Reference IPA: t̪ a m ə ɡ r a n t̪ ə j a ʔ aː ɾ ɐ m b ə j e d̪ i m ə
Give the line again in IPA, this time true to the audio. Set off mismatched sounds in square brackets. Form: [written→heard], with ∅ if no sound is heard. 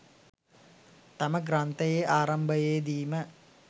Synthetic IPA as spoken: t̪ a m ə ɡ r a n t̪ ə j [a→e] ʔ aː ɾ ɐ m b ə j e d̪ [i→iː] m ə